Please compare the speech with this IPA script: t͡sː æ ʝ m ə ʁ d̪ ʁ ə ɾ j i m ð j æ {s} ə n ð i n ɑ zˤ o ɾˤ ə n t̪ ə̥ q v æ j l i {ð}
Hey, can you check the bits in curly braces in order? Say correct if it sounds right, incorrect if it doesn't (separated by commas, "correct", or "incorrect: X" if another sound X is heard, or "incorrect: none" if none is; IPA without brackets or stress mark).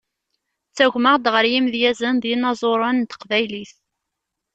incorrect: z, incorrect: θ